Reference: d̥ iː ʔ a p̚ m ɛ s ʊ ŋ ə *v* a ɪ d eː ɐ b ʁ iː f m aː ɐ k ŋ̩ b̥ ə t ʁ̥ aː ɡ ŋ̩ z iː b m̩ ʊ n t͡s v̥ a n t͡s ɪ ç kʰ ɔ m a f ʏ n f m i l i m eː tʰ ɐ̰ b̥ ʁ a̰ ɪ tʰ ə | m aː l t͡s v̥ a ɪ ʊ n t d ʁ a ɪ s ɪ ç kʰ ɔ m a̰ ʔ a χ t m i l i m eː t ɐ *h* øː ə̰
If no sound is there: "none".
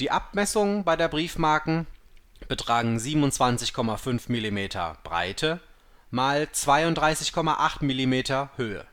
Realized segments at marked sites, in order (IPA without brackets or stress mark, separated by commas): b, h